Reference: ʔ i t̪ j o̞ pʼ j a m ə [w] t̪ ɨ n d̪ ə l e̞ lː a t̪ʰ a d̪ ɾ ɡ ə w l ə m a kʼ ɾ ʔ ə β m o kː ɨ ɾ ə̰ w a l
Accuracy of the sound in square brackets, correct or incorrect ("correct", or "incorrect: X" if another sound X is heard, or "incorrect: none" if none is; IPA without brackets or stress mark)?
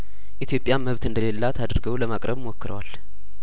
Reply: incorrect: β